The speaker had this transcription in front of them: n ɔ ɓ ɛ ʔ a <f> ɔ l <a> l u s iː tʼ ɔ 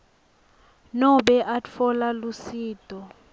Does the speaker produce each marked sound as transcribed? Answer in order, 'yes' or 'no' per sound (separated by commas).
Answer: yes, yes